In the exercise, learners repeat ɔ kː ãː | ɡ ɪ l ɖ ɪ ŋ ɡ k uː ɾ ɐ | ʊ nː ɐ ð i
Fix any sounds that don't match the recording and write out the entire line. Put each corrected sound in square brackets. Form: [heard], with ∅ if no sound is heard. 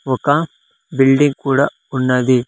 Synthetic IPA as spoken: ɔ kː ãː | [b] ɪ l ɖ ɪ ŋ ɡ k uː [ɽ] ɐ | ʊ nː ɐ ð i